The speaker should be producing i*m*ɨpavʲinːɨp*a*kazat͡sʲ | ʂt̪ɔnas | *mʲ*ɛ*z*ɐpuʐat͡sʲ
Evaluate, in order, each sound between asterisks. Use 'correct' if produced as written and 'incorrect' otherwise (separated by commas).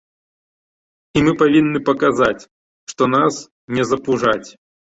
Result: correct, incorrect, incorrect, correct